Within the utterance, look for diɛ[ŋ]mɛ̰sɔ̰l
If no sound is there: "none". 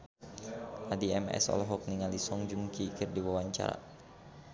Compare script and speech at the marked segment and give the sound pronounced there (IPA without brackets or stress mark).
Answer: none